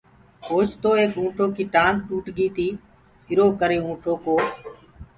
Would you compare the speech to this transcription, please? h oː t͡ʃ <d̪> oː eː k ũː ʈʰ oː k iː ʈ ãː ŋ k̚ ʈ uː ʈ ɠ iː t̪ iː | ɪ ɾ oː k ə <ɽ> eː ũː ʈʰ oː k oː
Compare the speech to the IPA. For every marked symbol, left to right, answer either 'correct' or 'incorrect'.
incorrect, incorrect

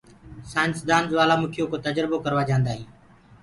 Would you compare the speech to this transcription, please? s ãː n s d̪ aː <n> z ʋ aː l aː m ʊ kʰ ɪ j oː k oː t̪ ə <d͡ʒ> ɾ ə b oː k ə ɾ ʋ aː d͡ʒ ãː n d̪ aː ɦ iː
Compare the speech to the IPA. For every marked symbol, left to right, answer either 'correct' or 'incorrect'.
correct, correct

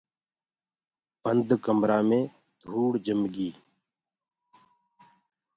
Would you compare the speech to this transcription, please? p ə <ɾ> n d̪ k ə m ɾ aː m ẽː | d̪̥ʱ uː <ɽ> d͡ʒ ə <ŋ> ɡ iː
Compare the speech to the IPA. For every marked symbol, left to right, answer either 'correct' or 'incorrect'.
incorrect, correct, incorrect

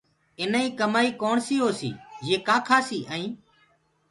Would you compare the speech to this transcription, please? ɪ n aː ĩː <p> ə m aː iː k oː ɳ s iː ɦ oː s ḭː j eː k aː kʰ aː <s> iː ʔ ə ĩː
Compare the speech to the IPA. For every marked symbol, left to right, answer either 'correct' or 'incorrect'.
incorrect, correct

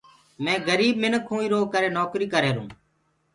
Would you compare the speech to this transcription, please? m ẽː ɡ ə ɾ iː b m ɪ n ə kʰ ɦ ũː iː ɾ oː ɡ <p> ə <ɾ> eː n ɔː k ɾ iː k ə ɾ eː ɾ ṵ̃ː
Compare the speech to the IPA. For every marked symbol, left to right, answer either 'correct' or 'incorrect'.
incorrect, correct

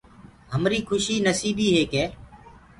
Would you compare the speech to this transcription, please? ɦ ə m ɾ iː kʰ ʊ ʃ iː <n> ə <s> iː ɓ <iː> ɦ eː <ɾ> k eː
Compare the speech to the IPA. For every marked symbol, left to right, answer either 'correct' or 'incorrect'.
correct, correct, correct, incorrect

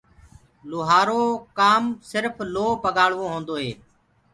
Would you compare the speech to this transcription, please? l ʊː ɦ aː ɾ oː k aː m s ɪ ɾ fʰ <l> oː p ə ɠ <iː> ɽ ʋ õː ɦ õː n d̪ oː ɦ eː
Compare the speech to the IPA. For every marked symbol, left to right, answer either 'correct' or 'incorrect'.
correct, incorrect

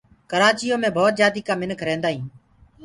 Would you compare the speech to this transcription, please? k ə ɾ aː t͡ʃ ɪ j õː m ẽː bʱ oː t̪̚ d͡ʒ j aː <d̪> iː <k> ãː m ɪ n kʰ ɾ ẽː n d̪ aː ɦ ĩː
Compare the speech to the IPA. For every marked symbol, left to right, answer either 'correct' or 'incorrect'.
correct, correct

